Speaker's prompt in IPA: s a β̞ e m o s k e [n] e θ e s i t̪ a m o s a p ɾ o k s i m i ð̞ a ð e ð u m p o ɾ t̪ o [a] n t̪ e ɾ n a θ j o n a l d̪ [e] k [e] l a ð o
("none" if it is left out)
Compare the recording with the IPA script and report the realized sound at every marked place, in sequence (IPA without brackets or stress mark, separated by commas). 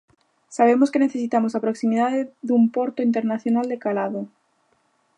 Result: n, i, e, a